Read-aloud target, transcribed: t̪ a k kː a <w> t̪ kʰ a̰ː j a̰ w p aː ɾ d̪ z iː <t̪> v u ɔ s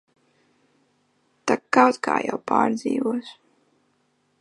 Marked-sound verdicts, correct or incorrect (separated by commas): correct, incorrect